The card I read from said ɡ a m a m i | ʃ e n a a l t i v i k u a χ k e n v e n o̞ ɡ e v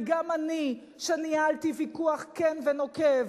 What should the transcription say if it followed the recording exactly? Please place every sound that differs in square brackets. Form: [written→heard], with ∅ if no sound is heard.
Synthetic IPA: ɡ a m a [m→n] i | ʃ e n [a→i] a l t i v i k u a χ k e n v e n o̞ [ɡ→k] e v